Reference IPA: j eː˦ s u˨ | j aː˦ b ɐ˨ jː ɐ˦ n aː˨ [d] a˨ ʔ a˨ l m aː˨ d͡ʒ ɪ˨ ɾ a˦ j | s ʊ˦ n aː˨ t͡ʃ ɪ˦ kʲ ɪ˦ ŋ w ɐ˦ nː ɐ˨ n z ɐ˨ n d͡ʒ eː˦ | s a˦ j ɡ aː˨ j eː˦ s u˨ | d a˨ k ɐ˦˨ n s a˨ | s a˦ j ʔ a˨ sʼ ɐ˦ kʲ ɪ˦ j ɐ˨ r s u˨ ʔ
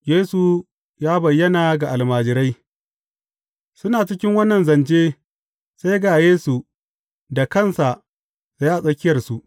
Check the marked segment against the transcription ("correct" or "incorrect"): incorrect